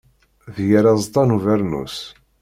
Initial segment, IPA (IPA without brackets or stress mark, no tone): ð